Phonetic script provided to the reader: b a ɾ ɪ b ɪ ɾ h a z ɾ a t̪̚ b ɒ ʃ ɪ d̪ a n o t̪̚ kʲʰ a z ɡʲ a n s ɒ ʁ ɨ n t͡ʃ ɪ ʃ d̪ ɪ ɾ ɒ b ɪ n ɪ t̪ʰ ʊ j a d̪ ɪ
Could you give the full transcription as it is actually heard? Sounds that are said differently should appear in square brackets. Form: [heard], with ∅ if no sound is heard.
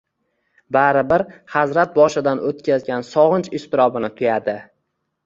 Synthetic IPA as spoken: b a ɾ ɪ b ɪ ɾ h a z ɾ a t̪̚ b ɒ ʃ ɪ d̪ a n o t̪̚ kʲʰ a z ɡʲ a n s ɒ ʁ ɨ n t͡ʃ ɪ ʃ [t̪] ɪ ɾ ɒ b ɪ n ɪ t̪ʰ ʊ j a d̪ ɪ